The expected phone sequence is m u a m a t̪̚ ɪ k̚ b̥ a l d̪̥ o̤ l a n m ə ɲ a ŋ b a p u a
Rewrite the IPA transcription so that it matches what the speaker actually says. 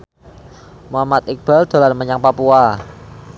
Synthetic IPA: m u a m a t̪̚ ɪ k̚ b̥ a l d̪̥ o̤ l a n m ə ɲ a ŋ p a p u a